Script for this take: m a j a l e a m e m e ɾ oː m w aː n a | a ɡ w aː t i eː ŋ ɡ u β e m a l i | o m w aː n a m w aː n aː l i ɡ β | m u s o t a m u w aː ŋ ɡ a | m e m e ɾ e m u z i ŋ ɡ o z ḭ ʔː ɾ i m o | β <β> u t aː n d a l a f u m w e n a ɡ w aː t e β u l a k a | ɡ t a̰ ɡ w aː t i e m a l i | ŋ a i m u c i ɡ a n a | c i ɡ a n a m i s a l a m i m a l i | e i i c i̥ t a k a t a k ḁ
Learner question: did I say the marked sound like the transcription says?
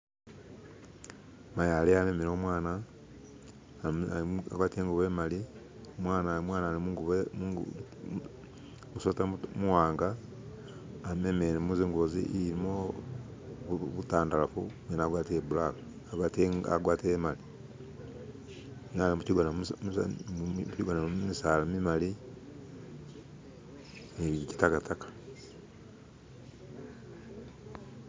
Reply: yes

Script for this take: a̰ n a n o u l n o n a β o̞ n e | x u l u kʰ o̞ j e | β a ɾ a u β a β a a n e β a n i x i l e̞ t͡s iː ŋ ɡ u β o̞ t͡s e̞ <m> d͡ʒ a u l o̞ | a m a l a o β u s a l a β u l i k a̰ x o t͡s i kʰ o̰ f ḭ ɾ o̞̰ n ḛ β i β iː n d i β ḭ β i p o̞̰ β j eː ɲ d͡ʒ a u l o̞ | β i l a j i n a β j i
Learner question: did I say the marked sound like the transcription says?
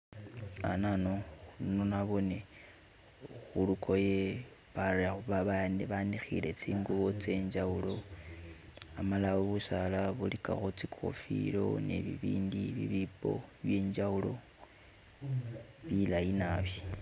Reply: no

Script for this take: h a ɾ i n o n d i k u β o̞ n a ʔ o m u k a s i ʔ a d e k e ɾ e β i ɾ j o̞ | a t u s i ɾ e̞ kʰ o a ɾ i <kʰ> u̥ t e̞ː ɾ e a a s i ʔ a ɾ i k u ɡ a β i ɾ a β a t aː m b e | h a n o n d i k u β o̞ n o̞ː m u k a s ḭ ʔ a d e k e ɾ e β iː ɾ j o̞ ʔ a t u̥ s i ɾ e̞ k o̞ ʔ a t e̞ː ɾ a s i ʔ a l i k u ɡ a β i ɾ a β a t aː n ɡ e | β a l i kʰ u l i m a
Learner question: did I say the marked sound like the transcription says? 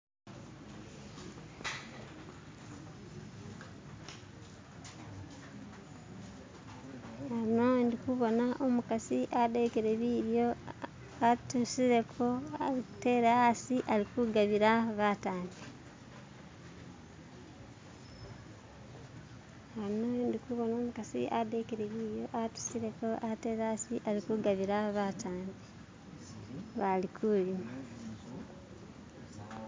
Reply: no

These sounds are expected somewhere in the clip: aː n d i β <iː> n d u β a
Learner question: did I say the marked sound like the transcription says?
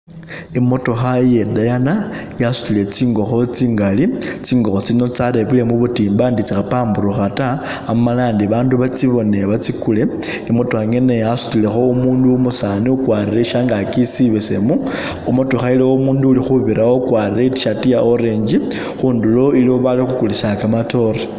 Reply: no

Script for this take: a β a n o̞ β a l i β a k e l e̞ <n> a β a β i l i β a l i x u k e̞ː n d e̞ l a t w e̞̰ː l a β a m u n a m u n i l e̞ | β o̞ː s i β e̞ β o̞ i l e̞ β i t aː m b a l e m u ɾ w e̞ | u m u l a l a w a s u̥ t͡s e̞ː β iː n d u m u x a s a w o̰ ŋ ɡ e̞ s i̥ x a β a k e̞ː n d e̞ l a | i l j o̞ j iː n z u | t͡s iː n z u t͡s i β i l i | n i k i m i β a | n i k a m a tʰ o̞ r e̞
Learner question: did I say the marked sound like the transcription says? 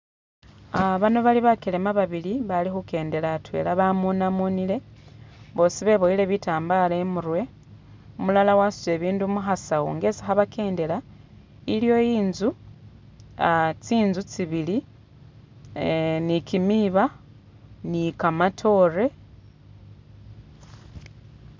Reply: no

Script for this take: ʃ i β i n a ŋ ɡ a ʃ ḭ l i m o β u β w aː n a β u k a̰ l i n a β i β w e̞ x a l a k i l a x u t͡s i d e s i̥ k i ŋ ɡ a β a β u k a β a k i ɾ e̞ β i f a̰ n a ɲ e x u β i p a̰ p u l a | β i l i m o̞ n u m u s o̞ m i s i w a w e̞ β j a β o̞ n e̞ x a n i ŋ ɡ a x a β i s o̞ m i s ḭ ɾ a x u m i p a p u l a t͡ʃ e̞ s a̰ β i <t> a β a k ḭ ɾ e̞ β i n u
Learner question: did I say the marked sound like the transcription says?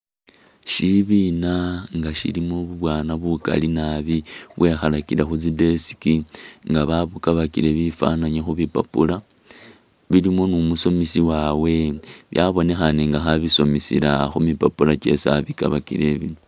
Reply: no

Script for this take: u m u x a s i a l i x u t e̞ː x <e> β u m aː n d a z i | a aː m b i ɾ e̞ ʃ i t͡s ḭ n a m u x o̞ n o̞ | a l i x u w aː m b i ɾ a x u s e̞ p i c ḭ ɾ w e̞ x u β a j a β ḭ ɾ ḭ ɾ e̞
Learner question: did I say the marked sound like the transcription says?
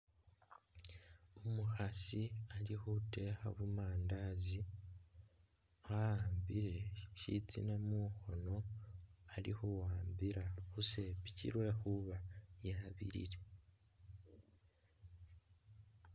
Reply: no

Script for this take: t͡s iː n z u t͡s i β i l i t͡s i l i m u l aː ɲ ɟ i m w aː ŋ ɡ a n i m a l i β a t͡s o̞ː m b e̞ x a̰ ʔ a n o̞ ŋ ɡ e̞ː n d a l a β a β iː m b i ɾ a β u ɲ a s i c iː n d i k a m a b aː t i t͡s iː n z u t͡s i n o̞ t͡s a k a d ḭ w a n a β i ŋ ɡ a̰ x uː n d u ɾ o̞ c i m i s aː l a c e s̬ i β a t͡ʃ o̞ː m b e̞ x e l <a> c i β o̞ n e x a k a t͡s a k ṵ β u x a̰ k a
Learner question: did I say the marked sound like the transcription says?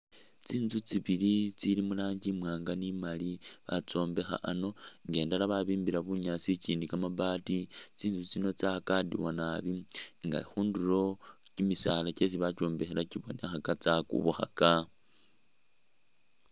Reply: yes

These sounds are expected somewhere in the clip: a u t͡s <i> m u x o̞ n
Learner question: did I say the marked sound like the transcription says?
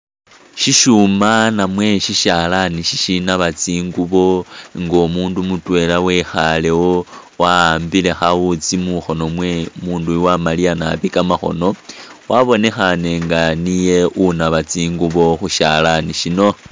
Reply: yes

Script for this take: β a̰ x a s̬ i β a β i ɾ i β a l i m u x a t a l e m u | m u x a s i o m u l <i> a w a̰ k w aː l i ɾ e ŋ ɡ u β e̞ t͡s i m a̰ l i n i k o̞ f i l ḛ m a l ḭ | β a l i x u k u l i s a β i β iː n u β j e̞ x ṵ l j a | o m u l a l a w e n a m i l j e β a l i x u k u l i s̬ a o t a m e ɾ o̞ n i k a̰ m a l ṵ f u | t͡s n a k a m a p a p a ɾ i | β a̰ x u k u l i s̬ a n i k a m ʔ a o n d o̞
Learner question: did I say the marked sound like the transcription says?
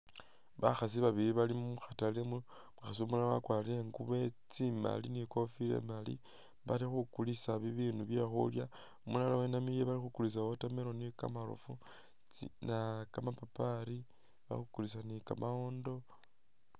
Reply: no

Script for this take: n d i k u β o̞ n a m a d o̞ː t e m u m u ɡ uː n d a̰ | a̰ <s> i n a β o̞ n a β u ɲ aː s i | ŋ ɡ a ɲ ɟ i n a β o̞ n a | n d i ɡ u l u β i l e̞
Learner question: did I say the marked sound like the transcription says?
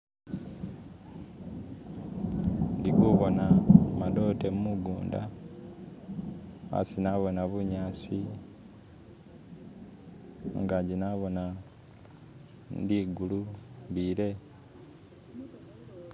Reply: yes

